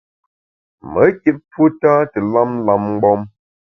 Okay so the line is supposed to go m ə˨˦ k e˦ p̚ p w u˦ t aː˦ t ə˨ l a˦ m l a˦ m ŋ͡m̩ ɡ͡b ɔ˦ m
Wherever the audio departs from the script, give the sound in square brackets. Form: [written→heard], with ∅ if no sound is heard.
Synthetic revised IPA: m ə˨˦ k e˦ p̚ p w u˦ t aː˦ t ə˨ l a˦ m l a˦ m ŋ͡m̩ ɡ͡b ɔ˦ m